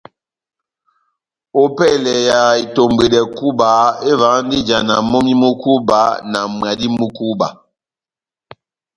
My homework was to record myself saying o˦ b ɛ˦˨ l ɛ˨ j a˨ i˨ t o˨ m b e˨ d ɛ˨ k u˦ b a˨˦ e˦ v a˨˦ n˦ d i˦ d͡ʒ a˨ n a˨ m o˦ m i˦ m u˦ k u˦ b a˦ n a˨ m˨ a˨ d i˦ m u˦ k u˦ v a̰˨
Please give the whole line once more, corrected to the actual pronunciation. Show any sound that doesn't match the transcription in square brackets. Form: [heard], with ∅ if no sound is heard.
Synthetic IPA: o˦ [p] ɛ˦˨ l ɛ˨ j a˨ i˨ t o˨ m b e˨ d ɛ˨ k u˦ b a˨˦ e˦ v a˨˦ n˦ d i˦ d͡ʒ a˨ n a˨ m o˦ m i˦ m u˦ k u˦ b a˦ n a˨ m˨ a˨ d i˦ m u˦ k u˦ [b] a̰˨